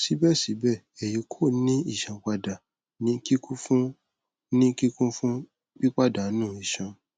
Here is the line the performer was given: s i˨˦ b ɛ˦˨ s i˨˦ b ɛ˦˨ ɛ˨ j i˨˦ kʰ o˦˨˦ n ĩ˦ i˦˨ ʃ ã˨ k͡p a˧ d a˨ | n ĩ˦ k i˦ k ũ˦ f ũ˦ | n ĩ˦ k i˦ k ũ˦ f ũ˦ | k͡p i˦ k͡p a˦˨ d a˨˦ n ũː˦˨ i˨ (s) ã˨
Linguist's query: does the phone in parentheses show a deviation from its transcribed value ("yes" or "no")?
yes